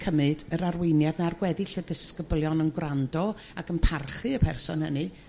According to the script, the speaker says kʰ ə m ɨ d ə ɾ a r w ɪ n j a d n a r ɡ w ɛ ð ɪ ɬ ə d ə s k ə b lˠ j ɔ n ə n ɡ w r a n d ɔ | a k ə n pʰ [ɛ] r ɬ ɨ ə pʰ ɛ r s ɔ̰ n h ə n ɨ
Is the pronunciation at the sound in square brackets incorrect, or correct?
incorrect: a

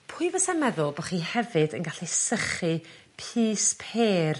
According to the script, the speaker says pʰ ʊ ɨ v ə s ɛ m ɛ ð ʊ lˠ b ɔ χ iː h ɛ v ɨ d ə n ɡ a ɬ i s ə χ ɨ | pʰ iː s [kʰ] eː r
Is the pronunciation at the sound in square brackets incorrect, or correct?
incorrect: pʰ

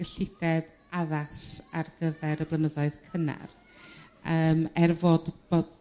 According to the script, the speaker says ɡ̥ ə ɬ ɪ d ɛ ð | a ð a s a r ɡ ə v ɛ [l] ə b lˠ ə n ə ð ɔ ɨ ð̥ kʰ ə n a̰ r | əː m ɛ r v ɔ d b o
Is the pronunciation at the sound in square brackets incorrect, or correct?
incorrect: ɾ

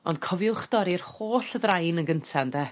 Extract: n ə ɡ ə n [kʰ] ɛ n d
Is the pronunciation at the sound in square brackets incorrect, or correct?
incorrect: tʰ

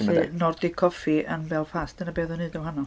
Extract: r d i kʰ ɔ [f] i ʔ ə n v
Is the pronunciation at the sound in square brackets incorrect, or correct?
correct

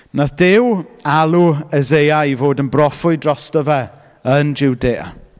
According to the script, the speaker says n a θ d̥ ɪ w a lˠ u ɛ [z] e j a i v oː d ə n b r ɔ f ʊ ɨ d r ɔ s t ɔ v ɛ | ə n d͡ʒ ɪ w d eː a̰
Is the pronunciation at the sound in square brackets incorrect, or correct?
correct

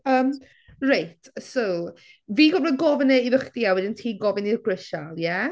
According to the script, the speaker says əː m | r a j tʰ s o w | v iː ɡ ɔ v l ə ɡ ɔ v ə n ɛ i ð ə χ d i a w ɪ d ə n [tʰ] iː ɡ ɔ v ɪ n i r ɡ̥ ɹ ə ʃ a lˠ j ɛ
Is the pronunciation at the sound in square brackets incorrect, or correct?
correct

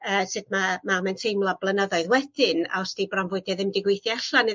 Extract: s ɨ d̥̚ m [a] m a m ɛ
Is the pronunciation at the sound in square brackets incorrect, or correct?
correct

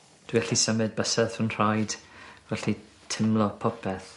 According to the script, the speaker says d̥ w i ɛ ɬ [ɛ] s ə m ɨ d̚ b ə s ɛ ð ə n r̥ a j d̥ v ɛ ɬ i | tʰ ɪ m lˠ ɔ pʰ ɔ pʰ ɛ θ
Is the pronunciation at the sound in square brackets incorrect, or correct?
incorrect: i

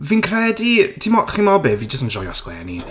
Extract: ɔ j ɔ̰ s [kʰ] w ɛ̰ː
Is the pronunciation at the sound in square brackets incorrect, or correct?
incorrect: k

